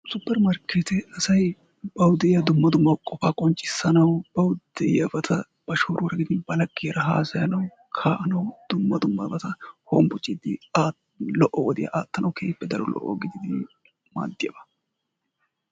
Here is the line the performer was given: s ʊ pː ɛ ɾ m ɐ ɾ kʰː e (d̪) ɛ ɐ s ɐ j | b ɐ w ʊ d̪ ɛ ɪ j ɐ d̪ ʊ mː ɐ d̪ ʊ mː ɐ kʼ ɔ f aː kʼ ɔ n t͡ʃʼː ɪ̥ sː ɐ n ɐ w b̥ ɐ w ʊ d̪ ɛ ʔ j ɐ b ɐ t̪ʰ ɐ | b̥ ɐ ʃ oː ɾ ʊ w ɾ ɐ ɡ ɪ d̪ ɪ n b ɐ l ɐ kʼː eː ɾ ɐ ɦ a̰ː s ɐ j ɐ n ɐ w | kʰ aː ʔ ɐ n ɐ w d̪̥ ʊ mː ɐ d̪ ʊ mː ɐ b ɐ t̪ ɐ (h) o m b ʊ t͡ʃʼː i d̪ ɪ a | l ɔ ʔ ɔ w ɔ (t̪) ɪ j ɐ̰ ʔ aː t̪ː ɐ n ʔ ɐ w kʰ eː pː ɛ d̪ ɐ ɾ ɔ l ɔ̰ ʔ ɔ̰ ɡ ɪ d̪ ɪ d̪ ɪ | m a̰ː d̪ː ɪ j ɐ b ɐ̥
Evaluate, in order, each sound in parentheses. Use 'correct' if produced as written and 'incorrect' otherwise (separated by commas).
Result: incorrect, correct, incorrect